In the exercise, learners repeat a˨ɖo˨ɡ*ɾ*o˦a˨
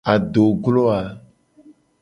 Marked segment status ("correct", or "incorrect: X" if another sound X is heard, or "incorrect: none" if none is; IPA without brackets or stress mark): incorrect: l